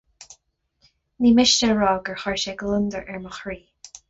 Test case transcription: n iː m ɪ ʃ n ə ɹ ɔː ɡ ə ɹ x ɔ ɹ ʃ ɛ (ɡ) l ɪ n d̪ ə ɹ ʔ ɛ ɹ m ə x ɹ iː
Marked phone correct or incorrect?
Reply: correct